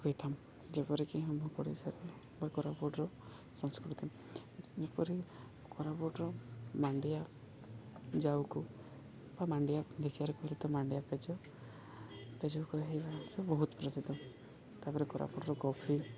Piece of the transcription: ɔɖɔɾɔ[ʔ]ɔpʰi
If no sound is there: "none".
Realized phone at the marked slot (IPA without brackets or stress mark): k